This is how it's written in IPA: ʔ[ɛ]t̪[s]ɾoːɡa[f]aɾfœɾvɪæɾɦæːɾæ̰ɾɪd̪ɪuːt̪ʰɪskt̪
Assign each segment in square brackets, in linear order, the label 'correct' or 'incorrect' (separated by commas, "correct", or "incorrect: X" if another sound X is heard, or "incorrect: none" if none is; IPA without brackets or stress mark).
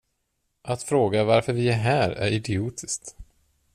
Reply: incorrect: a, incorrect: f, incorrect: v